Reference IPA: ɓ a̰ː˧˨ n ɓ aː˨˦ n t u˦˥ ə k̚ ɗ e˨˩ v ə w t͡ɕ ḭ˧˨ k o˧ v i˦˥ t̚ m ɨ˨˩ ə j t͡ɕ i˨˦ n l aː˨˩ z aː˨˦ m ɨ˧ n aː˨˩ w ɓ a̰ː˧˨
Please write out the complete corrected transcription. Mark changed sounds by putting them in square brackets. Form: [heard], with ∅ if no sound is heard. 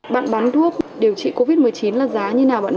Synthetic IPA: ɓ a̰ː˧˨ n ɓ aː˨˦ n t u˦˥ ə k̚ ɗ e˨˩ [∅] ə w t͡ɕ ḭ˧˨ k o˧ v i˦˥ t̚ m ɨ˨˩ ə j t͡ɕ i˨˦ n l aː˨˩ z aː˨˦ [ɲ] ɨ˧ n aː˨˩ w ɓ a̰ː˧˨